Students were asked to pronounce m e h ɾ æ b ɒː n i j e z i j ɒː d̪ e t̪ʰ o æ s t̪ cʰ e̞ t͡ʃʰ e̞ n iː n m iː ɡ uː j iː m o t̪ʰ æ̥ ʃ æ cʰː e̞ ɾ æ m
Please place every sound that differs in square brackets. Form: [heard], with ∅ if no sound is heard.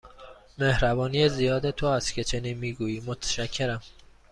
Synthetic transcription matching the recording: m e h ɾ æ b ɒː n i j e z i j ɒː d̪ e t̪ʰ o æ s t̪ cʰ e̞ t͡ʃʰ e̞ n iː n m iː ɡ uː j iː m o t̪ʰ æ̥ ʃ æ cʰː e̞ ɾ æ m